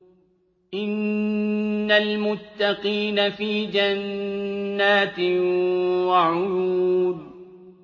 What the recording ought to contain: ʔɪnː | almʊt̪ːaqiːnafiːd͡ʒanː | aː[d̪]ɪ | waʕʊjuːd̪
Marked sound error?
yes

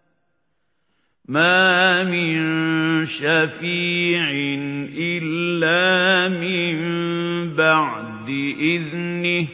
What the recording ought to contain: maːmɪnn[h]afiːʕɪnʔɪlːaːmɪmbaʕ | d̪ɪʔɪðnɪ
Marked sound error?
yes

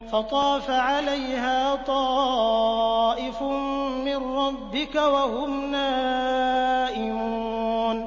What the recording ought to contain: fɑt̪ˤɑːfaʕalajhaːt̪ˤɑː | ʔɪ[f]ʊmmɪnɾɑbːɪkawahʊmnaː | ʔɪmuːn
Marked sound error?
no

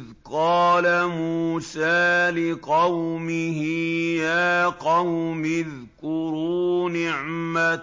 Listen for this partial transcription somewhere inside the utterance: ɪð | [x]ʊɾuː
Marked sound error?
yes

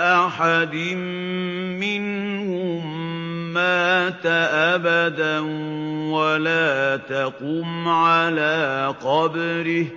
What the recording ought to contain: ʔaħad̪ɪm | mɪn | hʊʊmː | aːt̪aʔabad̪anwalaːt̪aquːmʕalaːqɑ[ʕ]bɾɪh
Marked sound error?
yes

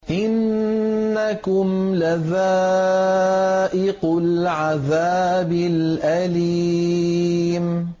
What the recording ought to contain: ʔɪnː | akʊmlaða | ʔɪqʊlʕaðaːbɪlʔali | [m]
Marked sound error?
no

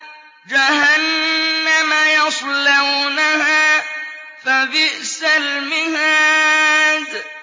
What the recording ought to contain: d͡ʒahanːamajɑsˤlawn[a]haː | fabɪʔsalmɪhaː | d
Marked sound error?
no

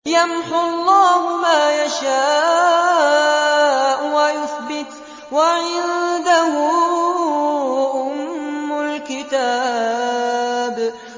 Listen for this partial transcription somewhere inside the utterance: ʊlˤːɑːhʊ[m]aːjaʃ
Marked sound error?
no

